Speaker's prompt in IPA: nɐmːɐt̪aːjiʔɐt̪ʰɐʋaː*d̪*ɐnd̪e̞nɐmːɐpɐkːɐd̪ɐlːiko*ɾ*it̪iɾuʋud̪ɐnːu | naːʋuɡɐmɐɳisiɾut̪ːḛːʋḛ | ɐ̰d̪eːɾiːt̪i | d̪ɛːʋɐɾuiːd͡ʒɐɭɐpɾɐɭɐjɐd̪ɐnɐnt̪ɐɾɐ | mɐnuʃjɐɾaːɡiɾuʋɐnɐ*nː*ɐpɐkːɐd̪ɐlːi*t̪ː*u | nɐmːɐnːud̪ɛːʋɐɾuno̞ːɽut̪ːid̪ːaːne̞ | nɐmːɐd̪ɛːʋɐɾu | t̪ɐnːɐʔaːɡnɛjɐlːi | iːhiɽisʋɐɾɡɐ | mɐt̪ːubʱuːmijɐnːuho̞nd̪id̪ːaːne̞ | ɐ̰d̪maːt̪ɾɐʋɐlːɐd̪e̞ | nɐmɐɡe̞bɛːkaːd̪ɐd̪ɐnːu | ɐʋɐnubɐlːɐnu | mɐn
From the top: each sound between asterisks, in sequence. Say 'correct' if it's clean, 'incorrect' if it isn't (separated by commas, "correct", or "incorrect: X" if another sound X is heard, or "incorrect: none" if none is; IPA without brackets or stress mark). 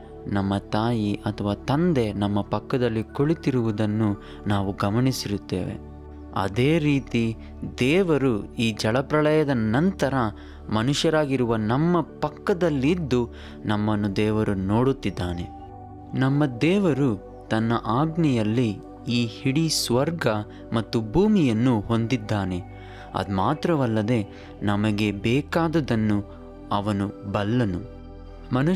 incorrect: t̪, incorrect: ɭ, incorrect: mː, incorrect: d̪ː